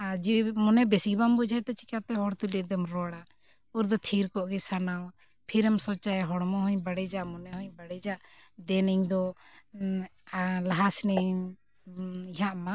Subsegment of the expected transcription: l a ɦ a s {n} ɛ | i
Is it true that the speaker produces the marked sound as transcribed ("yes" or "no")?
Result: yes